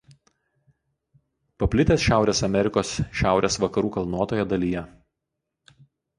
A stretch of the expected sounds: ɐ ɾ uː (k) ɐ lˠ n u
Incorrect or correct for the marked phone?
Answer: correct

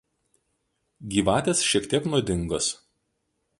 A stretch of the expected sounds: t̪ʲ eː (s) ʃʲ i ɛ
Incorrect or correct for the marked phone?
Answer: correct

